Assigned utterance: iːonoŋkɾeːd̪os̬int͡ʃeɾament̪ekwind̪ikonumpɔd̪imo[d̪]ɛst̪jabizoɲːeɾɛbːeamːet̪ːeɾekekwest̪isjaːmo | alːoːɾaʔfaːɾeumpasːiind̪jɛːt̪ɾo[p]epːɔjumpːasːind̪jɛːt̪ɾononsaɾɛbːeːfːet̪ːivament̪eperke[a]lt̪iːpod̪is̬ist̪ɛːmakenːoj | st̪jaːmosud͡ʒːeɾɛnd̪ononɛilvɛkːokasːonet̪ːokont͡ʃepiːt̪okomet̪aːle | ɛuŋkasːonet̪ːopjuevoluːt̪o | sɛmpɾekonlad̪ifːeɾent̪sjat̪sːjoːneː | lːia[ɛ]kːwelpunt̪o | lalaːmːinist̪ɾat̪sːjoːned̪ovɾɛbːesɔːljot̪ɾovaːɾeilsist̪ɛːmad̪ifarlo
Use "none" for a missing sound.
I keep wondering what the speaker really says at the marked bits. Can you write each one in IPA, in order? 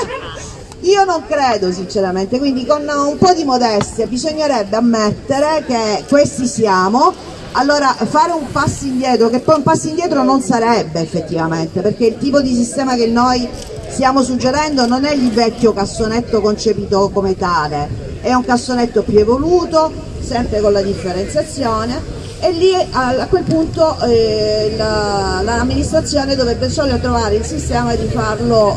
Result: d̪, k, i, a

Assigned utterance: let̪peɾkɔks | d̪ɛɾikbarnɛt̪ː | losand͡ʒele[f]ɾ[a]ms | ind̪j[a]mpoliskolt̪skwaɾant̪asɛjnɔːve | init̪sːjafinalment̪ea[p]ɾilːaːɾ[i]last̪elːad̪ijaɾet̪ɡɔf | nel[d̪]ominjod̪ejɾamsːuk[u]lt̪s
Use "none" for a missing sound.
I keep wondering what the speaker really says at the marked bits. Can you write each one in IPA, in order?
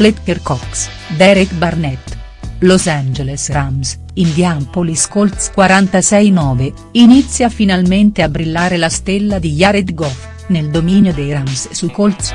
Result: s, a, a, b, e, d̪, o

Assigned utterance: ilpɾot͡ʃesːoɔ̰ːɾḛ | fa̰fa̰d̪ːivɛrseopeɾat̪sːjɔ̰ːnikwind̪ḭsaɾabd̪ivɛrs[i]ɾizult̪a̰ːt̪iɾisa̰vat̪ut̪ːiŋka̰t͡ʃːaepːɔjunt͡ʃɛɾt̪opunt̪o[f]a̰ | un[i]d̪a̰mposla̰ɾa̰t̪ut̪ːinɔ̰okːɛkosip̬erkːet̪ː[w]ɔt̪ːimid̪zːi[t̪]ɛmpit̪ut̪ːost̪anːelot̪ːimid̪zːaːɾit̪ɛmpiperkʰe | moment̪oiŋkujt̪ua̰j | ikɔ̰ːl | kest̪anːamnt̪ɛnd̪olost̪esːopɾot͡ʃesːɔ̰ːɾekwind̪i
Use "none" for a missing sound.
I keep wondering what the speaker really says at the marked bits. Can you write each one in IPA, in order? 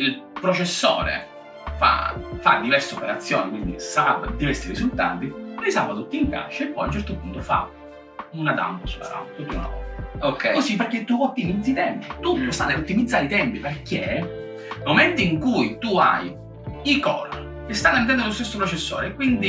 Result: i, f, a, u, t̪

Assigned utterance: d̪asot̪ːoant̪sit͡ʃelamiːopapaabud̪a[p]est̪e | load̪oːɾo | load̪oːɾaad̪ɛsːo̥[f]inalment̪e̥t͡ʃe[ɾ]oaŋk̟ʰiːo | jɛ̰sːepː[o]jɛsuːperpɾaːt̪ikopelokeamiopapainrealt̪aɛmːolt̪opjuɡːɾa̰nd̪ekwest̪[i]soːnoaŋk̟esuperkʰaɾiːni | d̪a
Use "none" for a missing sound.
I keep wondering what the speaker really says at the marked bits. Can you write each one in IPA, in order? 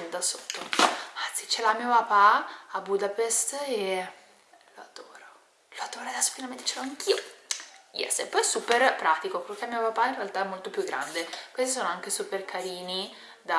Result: p, f, l, ɔ, i

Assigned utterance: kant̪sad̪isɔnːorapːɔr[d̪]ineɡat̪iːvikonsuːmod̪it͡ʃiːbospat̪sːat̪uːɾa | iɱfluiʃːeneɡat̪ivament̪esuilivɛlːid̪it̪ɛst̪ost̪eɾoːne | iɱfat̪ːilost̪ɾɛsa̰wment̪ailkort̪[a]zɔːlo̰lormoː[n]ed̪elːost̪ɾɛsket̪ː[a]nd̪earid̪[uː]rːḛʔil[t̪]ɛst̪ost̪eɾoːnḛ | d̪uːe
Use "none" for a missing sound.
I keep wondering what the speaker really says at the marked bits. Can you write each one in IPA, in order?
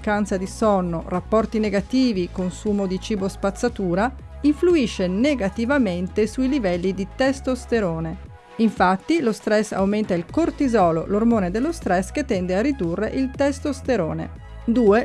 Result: t̪, i, n, ɛ, u, t̪

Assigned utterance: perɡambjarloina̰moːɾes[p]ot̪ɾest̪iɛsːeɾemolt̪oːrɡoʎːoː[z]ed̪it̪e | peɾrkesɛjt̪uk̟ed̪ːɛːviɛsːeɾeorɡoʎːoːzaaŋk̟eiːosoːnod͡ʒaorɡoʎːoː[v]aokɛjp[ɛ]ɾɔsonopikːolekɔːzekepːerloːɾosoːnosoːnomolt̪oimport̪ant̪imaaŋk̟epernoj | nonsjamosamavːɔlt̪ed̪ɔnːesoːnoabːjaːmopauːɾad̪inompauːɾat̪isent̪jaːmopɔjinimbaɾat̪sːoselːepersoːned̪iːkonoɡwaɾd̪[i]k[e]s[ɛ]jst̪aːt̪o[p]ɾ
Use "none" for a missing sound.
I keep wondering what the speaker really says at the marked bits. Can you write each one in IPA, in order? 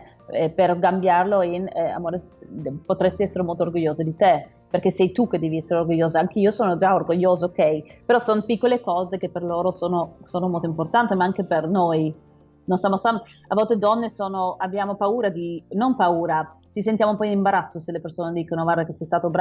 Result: p, z, z, e, a, e, ɛ, b

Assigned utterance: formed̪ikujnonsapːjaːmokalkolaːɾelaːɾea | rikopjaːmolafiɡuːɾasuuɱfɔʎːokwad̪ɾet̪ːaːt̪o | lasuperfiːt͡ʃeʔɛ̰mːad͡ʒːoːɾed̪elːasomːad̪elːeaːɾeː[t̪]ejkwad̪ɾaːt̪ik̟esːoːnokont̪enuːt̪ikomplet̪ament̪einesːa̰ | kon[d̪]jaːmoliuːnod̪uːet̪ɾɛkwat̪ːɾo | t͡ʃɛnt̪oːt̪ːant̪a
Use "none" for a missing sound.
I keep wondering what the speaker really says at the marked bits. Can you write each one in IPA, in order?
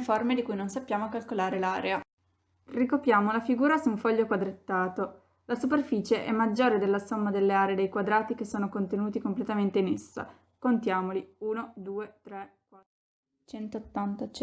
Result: d̪, t̪

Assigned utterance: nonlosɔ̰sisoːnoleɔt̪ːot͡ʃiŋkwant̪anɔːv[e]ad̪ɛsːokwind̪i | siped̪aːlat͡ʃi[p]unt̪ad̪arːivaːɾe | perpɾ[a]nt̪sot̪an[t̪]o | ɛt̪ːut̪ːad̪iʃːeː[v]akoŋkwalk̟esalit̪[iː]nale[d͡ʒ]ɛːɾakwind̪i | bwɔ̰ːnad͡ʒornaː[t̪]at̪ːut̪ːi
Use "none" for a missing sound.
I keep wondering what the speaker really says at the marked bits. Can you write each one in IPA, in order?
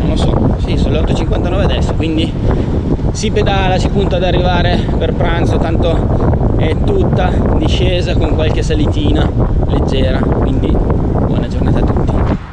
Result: e, p, a, t̪, z, iː, d͡ʒː, t̪

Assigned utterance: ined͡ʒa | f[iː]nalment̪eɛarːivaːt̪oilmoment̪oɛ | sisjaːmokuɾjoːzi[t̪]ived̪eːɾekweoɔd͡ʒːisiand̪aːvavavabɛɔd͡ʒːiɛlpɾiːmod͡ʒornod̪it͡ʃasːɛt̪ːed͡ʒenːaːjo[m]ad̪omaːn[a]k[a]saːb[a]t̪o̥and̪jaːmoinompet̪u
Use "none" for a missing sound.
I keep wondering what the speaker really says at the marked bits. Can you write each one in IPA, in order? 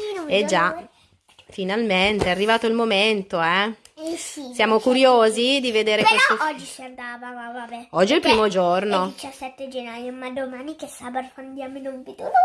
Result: i, d̪, m, i, e, a

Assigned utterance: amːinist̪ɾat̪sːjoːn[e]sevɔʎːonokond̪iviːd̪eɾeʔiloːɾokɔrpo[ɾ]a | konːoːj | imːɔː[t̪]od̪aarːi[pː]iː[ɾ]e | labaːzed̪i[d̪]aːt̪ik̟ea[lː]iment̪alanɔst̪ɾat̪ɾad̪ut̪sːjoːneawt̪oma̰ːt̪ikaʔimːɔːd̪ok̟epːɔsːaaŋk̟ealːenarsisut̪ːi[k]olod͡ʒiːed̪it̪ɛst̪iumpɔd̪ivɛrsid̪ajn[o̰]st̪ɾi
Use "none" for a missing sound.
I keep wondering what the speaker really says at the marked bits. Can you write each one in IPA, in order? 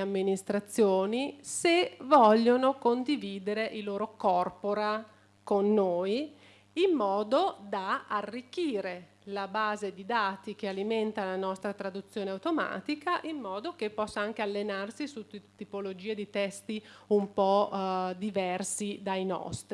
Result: i, ɾ, d̪, kː, ɾ, d̪, l, p, ɔ̰

